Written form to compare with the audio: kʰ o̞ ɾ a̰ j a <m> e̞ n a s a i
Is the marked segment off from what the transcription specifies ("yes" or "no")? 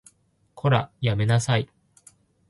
no